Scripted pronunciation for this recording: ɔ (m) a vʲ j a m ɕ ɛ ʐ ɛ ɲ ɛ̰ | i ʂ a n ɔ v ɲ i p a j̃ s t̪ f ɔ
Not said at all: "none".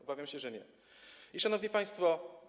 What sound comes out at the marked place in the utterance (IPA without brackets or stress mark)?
b